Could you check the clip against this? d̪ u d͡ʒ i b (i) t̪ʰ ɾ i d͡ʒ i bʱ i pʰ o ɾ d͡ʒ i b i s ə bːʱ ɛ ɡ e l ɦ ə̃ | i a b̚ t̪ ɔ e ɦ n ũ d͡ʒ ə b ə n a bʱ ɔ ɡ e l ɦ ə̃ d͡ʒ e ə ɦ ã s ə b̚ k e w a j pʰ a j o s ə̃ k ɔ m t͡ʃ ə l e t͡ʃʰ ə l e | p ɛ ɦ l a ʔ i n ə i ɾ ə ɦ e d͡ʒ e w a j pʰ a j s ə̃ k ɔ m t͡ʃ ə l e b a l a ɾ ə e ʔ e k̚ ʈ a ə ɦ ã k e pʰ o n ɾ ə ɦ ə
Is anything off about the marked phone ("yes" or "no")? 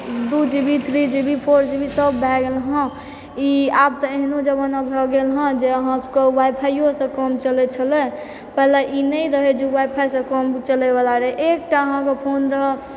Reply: no